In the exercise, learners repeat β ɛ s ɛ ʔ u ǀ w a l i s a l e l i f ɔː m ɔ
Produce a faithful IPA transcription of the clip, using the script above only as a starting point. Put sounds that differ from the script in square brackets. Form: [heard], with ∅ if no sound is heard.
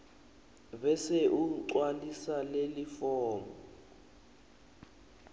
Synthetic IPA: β ɛ s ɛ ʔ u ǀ w a l i s a l e l i f ɔː m ɔ